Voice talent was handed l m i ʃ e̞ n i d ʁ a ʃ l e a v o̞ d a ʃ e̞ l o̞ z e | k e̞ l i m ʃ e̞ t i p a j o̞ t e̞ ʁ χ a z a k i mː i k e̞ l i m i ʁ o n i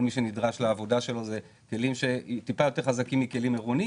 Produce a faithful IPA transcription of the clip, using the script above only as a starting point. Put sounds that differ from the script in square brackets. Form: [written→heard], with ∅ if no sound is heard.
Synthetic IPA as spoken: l m i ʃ e̞ n i d ʁ a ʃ l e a v o̞ d a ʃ e̞ l o̞ z e | k e̞ l i m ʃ e̞ t i p a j o̞ t e̞ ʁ χ a z a k i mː i k e̞ l i m [i→e] ʁ o n i